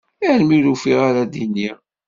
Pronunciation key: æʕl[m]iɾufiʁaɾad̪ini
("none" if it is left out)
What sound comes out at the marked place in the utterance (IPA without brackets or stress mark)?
m